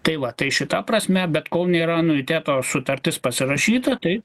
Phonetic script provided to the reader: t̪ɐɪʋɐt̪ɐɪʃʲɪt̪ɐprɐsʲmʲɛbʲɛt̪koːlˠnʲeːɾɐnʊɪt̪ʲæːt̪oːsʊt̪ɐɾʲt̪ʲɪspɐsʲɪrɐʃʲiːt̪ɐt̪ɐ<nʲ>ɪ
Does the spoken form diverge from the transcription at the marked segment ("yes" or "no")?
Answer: yes